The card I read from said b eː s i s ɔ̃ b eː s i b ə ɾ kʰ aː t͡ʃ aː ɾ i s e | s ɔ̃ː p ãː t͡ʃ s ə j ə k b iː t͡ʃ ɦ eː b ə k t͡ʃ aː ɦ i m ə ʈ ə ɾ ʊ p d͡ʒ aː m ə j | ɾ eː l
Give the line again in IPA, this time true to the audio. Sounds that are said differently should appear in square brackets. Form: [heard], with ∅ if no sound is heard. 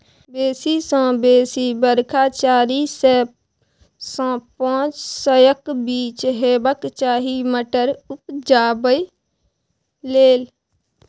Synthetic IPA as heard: b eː s i s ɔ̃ b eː s i b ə ɾ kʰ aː t͡ʃ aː ɾ i s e | s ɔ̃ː p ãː t͡ʃ s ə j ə k b iː t͡ʃ ɦ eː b ə k t͡ʃ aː ɦ i m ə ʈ ə ɾ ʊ p d͡ʒ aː [b] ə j | [l] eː l